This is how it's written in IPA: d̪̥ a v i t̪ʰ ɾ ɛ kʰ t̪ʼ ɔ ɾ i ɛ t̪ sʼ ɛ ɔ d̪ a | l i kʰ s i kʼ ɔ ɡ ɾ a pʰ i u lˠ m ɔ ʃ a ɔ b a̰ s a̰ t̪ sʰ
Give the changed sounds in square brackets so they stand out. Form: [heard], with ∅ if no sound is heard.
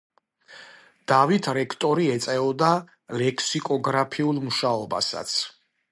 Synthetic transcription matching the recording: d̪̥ a v i t̪ʰ ɾ ɛ kʰ t̪ʼ ɔ ɾ i ɛ t̪ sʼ ɛ ɔ d̪ a | l [ɛ] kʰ s i kʼ ɔ ɡ ɾ a pʰ i u lˠ m [u] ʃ a ɔ b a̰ s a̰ t̪ sʰ